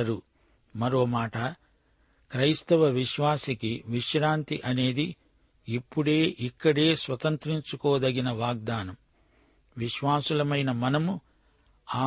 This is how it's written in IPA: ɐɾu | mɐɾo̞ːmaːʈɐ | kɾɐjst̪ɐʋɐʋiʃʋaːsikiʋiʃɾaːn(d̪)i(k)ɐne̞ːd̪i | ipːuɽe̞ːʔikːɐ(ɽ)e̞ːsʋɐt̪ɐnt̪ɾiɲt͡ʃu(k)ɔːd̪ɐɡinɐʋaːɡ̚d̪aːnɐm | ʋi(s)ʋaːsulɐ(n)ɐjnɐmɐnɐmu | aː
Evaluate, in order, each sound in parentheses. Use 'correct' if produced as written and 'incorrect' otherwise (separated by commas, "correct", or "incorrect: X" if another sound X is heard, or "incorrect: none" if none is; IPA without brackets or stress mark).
incorrect: t̪, incorrect: ʔ, correct, correct, incorrect: ʃ, incorrect: m